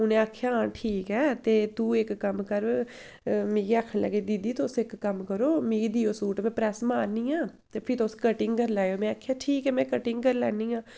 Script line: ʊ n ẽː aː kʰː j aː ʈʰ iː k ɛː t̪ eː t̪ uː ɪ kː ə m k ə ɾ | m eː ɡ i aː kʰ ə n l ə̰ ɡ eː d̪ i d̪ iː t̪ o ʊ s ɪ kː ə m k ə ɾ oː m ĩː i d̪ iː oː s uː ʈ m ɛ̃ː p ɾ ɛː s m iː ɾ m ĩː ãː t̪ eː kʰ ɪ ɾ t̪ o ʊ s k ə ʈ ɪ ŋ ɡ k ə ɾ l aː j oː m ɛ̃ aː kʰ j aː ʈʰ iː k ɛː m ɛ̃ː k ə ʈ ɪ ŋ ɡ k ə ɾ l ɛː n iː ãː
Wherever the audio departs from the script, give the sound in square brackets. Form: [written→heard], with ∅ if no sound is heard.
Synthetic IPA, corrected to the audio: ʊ n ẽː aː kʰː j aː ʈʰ iː k ɛː t̪ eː t̪ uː ɪ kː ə m k ə ɾ | m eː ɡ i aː kʰ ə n l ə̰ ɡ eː d̪ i d̪ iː t̪ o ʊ s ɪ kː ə m k ə ɾ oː m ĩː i d̪ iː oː s uː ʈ m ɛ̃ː p ɾ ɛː s m [iː→aː] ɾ [m→n] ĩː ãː t̪ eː [kʰ→pʰ] ɪ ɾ t̪ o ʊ s k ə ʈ ɪ ŋ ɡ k ə ɾ l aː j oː m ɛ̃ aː kʰ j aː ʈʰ iː k ɛː m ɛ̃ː k ə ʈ ɪ ŋ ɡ k ə ɾ l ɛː n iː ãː